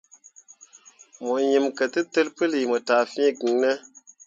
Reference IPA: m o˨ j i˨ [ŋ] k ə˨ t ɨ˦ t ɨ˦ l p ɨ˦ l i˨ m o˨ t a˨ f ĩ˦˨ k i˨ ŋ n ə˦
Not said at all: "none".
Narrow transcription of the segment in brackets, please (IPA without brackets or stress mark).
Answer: m